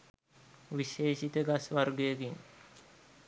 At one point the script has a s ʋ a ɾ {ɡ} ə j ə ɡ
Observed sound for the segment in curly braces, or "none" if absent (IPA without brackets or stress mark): ɡ